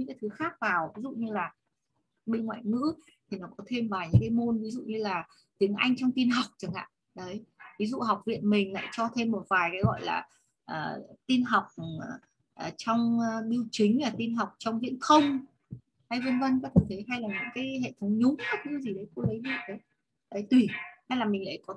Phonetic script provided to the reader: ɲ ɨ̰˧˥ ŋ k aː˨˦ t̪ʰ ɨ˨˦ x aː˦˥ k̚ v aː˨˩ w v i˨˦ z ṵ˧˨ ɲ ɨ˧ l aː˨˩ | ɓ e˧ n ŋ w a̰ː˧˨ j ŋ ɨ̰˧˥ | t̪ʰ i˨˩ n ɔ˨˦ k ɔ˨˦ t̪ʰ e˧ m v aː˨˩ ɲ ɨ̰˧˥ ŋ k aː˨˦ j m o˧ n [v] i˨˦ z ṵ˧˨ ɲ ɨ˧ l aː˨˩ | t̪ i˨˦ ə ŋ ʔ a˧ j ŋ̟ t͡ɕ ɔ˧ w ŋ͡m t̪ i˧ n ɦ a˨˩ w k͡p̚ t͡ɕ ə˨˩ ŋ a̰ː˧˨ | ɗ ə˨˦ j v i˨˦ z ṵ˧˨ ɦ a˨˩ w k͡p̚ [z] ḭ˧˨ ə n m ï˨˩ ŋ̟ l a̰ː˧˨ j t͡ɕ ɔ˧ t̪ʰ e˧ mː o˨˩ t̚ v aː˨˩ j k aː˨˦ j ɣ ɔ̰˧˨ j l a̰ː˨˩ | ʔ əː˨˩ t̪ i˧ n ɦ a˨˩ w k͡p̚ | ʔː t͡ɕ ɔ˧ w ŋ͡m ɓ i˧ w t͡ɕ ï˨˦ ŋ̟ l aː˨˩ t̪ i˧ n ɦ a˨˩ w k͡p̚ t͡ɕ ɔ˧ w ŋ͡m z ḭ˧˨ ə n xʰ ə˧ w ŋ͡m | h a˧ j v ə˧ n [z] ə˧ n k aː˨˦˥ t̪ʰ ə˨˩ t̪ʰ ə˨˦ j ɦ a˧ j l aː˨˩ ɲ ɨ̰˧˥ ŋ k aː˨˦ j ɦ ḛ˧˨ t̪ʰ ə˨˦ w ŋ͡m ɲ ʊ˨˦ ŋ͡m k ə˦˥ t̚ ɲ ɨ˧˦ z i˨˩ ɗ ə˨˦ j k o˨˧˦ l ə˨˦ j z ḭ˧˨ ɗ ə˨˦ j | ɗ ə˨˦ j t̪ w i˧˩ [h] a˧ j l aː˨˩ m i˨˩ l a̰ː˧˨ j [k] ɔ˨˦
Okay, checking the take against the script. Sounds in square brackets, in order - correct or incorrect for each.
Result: correct, incorrect, incorrect, correct, correct

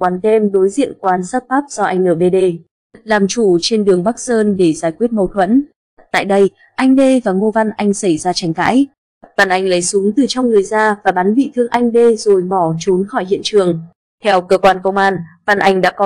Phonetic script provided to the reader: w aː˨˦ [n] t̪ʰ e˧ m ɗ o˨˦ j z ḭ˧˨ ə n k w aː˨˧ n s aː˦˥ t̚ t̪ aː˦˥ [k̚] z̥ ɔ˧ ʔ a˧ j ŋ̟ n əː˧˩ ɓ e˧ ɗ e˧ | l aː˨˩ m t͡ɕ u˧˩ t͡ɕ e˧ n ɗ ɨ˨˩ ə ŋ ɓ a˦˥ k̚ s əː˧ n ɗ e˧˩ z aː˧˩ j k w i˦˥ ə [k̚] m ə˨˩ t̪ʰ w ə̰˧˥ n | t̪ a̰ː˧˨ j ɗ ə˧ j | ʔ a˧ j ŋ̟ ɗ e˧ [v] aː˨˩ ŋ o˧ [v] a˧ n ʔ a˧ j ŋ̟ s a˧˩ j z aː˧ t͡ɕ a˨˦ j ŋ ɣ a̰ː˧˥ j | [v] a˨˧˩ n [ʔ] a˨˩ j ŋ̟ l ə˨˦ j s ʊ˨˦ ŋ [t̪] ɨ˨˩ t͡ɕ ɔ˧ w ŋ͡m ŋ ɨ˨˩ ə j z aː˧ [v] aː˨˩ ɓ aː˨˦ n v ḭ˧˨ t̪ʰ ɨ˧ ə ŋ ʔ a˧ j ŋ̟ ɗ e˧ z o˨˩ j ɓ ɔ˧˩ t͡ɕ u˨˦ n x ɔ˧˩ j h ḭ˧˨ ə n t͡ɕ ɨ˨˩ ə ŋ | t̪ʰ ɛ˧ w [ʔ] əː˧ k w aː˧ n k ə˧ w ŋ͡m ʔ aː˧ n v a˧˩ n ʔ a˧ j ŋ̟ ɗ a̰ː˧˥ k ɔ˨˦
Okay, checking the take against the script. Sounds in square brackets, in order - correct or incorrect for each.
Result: correct, incorrect, incorrect, correct, correct, correct, correct, correct, correct, incorrect

